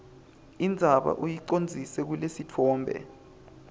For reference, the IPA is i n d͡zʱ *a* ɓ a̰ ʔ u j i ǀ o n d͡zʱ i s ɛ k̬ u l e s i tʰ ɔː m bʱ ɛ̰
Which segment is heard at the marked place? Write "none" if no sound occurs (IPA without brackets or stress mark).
a